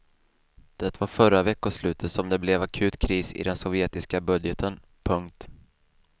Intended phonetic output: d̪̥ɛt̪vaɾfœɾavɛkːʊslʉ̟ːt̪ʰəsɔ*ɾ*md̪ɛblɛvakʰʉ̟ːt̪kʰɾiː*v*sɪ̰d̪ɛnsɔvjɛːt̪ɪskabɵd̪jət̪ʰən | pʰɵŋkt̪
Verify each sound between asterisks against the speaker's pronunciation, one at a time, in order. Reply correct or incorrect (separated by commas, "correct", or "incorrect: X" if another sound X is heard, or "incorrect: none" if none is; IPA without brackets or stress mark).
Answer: incorrect: none, incorrect: none